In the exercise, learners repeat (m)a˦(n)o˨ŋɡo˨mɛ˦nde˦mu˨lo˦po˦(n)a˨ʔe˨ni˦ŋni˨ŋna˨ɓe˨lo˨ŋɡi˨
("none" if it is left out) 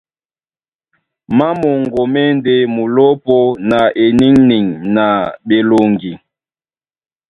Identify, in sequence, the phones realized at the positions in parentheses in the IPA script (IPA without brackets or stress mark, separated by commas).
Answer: m, m, n